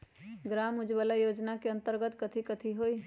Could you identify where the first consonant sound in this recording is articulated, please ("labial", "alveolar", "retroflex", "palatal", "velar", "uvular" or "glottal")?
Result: velar